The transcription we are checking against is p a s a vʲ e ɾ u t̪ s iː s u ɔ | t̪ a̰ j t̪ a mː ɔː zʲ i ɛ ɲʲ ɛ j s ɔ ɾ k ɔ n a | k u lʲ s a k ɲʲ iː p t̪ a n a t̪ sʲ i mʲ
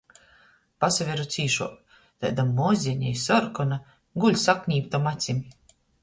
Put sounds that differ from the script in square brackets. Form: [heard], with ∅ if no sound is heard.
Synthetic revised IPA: p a s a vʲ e ɾ u t̪ s iː [ʃ] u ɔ | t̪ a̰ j [d̪] a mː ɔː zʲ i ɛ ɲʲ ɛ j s ɔ ɾ k ɔ n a | [ɡ] u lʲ s a k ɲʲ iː p t̪ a [m] a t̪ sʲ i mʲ